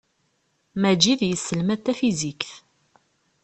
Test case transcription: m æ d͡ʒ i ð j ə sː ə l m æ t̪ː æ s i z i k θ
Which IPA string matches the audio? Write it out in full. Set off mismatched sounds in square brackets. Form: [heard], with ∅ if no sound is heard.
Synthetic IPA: m æ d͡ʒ i ð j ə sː ə l m æ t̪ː æ [f] i z i k θ